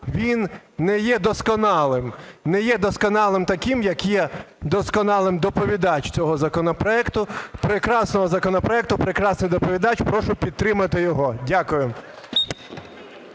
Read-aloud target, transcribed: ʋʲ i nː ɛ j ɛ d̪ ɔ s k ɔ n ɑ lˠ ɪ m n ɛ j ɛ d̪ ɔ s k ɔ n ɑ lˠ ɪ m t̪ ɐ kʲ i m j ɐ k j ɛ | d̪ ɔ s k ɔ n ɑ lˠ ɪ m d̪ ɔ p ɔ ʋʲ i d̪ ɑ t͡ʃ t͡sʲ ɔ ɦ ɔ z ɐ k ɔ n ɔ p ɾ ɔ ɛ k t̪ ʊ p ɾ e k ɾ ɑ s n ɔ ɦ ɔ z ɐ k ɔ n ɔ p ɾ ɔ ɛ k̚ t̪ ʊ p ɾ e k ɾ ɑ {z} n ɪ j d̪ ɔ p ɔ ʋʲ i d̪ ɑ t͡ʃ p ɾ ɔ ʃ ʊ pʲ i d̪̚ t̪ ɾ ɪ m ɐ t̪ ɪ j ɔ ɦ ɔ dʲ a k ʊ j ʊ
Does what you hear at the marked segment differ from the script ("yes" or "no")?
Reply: yes